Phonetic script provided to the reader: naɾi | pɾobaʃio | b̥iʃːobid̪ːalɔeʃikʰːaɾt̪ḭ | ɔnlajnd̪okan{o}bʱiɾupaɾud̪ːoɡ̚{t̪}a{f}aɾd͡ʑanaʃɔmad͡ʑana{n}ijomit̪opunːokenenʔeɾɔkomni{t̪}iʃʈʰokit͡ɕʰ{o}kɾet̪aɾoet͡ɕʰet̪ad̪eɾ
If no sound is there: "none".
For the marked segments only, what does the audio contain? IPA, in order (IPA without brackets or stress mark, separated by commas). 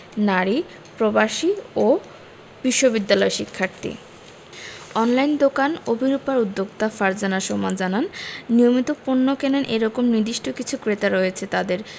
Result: o, t̪, f, nː, d̪, u